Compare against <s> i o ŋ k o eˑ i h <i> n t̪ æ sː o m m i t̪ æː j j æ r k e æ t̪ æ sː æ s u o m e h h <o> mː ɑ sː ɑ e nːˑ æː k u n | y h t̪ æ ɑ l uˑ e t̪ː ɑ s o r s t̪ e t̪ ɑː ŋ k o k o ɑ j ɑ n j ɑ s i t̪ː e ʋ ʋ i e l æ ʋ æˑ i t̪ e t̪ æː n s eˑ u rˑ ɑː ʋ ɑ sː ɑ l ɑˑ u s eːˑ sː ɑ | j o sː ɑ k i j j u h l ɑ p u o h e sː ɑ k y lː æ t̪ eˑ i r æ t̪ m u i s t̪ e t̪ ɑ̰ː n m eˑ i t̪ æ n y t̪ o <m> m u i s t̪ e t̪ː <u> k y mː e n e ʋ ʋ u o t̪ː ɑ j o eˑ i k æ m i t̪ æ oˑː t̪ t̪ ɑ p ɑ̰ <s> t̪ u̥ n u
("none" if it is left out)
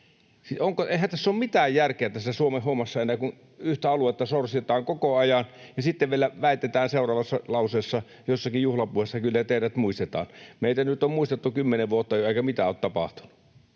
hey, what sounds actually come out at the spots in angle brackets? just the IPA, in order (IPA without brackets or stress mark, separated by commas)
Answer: s, æ, o, m, u, h